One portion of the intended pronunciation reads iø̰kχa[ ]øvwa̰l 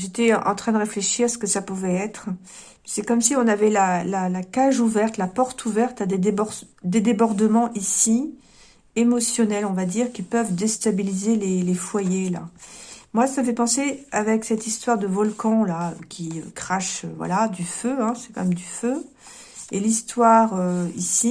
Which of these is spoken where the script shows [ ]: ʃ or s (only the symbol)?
ʃ